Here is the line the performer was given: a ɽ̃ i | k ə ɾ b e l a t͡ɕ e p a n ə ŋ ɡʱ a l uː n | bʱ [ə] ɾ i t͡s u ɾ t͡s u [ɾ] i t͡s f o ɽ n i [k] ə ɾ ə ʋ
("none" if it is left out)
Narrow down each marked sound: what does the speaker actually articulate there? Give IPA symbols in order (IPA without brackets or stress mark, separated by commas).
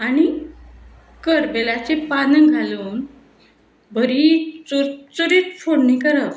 ə, ɾ, k